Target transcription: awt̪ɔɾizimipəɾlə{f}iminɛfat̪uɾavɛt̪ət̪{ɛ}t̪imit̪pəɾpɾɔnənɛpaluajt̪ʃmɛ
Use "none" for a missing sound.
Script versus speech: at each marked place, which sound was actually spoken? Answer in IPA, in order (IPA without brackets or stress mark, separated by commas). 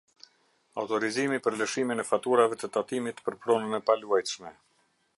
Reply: ʃ, a